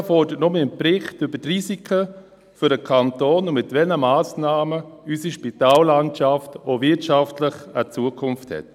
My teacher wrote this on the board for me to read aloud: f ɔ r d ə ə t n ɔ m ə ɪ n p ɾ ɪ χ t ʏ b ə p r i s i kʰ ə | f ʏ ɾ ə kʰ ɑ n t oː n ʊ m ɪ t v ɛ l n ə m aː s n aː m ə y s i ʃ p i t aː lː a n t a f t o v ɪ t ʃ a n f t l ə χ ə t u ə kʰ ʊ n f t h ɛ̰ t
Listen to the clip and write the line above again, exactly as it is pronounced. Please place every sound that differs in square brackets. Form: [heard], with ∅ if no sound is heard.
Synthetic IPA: f ɔ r d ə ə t n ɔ m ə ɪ n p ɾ ɪ χ t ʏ b ə [t] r i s i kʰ ə | f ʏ ɾ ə kʰ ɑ n t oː n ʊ m ɪ t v ɛ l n ə m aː s n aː m ə y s i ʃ p i t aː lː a n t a f t o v ɪ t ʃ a [∅] f t l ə χ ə [t͡s] u ə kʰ ʊ n f t h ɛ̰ t